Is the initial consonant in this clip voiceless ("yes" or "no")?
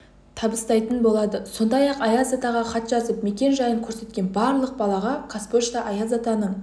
yes